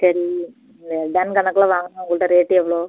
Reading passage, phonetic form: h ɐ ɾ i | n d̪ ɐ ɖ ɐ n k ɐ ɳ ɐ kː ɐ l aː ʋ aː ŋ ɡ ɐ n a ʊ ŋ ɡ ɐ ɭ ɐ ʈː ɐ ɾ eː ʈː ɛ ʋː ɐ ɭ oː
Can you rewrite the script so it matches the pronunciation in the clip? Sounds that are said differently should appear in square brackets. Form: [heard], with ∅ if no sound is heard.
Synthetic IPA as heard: [s] ɐ ɾ i | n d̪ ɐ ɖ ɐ n k ɐ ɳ ɐ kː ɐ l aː ʋ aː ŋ ɡ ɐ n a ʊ ŋ ɡ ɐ ɭ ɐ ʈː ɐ ɾ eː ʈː ɛ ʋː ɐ ɭ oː